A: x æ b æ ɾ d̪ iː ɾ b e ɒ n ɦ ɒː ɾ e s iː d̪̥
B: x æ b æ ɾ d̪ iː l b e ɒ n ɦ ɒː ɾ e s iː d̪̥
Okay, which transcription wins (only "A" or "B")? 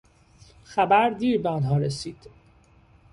A